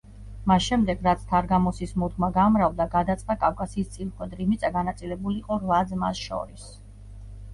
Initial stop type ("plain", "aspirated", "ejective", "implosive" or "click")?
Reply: plain